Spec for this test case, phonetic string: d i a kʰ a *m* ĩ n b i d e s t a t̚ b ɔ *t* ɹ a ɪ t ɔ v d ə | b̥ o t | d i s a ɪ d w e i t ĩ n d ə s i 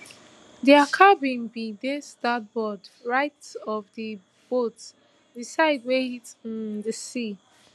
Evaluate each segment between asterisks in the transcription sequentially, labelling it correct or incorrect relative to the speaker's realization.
incorrect, incorrect

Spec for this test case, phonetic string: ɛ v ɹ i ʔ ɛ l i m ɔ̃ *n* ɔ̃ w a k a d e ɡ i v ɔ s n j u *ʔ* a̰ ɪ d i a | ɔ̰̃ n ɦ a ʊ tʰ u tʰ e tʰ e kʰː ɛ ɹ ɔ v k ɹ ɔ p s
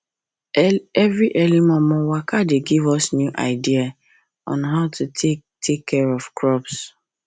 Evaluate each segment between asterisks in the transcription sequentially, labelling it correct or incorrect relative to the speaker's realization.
incorrect, correct

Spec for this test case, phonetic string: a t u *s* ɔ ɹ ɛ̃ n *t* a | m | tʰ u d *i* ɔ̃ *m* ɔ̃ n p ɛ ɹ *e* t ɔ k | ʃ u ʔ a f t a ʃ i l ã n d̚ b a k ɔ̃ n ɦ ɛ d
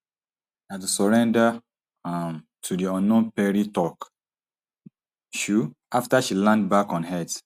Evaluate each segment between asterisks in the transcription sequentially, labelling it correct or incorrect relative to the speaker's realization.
correct, incorrect, correct, incorrect, incorrect

